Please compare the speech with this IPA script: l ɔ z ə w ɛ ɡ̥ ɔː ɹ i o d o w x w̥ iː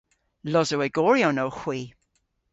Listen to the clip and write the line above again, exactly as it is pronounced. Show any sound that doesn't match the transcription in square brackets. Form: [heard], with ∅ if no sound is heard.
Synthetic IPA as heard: l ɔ z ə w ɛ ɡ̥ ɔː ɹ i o [n] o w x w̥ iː